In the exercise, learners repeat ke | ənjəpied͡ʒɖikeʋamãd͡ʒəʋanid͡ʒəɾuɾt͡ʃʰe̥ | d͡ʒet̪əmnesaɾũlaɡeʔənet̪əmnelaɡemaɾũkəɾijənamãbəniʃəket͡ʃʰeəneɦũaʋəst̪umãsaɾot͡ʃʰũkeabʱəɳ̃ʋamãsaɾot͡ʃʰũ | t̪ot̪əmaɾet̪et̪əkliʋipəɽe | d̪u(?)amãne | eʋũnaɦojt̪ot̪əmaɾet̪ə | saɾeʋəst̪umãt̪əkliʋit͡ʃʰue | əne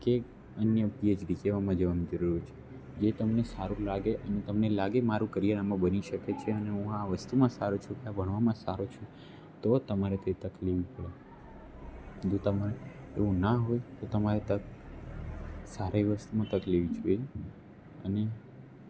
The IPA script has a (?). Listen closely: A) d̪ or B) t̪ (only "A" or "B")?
B